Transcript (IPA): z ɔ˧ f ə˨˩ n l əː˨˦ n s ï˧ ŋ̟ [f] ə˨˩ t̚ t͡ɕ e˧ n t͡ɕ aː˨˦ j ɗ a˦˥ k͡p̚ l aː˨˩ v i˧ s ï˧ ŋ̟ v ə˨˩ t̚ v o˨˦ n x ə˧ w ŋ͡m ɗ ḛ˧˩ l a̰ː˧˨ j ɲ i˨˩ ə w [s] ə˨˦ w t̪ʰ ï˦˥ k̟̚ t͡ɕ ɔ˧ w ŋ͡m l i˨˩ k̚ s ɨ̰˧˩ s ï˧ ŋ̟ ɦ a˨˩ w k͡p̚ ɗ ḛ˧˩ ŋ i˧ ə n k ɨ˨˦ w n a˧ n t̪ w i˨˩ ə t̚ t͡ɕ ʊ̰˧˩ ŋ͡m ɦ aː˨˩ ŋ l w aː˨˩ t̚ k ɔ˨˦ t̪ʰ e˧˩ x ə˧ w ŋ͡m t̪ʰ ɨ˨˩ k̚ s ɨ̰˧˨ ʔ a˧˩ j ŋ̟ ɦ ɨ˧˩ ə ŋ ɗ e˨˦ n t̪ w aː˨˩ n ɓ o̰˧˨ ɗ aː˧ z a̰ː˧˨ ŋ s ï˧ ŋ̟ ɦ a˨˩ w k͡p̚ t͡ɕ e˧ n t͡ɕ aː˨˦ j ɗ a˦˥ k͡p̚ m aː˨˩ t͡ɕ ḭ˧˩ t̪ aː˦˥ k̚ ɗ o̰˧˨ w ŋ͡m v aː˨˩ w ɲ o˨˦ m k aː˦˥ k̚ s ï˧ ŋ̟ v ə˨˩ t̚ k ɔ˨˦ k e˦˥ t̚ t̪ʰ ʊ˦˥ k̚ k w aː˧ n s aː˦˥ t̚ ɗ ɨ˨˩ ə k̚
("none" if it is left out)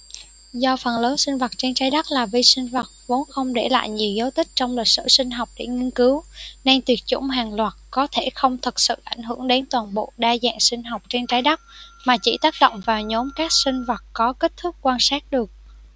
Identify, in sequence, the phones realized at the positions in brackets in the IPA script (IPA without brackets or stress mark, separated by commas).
v, z